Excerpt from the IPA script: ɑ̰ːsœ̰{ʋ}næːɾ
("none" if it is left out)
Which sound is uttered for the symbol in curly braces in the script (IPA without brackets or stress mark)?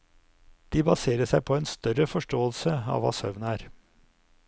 ʋ